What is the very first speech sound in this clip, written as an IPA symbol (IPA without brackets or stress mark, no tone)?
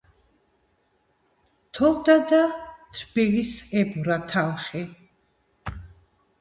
t̪ʰ